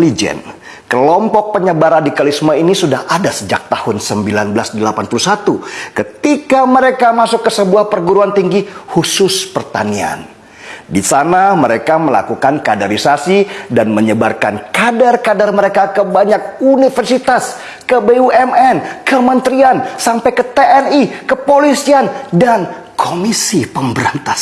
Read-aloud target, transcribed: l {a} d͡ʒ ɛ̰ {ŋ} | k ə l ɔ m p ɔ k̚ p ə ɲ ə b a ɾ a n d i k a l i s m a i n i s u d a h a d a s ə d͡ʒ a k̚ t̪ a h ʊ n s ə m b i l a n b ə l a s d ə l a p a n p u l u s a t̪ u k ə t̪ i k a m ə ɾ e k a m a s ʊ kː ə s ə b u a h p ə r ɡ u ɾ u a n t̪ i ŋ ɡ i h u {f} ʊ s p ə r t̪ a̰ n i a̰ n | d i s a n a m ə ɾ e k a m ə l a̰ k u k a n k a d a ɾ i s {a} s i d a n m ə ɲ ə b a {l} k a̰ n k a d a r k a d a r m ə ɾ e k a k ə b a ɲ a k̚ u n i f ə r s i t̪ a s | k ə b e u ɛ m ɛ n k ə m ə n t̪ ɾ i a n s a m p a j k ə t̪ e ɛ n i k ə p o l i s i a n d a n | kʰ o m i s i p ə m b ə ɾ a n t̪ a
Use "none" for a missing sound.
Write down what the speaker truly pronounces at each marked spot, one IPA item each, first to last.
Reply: i, n, s, a, r

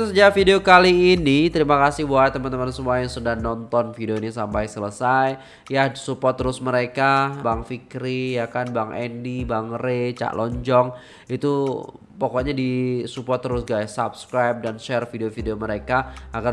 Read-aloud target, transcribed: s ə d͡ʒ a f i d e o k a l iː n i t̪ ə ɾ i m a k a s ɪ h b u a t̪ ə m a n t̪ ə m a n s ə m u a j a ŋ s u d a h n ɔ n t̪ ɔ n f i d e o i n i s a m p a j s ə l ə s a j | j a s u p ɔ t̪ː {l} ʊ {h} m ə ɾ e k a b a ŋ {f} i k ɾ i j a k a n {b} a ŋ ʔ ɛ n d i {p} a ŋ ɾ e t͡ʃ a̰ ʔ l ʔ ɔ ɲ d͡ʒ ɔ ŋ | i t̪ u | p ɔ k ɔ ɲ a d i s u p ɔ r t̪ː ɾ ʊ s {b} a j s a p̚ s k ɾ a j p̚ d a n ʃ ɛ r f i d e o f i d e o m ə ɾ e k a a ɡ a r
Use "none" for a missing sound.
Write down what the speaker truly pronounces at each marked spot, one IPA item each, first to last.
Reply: ɾ, s, f, b, b, ɡ

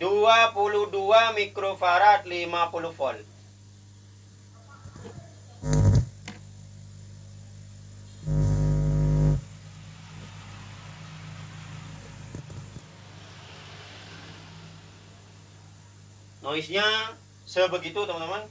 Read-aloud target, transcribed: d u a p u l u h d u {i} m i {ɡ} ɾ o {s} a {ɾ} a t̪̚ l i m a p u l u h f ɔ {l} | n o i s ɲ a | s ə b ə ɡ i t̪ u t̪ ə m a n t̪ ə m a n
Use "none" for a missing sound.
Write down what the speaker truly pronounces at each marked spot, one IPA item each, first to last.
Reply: a, k, f, ɾ, l

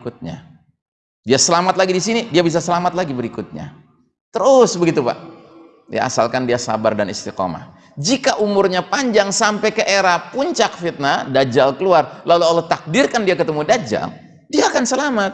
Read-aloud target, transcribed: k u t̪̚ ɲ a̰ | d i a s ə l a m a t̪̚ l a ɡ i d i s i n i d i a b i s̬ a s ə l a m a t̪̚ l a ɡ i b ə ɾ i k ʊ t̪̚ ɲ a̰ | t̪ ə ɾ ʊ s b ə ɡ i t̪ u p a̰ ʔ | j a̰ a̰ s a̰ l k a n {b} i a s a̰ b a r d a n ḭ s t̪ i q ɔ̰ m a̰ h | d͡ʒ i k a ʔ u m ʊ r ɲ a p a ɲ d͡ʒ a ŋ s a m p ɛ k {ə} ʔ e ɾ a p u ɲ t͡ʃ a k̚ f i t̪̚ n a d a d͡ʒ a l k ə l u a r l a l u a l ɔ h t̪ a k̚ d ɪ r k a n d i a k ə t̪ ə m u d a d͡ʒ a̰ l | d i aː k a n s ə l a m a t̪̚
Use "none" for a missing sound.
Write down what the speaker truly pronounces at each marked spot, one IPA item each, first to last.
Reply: d, ə

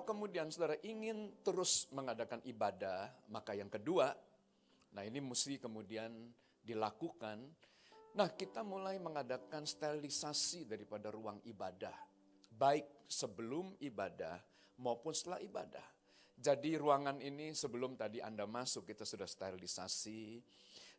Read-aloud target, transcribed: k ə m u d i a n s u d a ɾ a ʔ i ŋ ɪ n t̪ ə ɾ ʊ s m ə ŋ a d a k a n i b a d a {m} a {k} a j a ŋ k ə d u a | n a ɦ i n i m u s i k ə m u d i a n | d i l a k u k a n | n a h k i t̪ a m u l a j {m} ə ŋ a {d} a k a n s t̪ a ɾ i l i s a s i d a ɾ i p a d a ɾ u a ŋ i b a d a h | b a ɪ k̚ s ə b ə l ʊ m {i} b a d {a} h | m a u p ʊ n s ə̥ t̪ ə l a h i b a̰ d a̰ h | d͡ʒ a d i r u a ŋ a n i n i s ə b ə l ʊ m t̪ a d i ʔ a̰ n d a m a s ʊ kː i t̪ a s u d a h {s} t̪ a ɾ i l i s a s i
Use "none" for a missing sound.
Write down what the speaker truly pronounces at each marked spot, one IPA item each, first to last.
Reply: m, k, m, d, i, a, s

